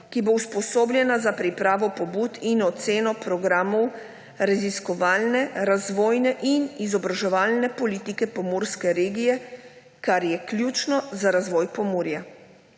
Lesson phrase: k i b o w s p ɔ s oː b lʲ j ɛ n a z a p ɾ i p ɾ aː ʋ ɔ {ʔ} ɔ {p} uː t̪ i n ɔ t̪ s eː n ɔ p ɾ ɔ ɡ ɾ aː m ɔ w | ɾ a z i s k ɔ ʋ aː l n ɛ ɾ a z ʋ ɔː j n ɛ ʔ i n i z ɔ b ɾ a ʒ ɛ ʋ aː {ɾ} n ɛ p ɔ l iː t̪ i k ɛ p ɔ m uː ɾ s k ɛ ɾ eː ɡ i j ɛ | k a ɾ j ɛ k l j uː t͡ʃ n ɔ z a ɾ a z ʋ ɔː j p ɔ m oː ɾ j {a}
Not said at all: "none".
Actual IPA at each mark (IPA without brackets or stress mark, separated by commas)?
p, b, l, a